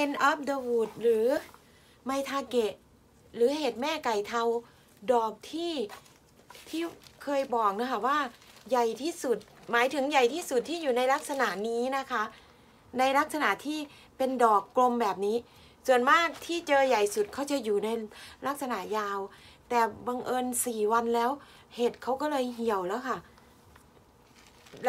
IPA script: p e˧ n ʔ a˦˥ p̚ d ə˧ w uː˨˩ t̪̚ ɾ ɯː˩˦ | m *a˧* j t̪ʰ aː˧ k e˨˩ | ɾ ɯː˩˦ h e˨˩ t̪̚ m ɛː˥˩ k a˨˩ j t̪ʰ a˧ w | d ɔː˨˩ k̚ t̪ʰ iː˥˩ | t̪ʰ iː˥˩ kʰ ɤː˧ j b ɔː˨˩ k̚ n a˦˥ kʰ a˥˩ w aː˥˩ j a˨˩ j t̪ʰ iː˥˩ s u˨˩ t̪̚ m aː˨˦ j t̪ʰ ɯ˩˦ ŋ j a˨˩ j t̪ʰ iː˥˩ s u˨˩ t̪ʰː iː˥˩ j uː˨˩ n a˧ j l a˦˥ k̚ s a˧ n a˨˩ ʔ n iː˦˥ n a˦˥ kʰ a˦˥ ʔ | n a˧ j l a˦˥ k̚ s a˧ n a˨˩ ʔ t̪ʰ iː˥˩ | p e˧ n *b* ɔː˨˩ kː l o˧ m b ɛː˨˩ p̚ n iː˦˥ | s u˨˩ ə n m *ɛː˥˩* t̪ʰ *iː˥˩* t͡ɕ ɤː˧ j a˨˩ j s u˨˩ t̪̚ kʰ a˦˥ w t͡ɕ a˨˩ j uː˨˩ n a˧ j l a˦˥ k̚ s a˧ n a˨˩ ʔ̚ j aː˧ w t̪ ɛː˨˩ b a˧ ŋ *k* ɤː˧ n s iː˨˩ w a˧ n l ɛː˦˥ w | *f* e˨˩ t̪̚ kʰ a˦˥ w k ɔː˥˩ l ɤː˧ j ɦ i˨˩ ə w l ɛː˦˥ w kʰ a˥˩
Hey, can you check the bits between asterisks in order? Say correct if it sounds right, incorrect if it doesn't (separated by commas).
correct, incorrect, incorrect, correct, incorrect, incorrect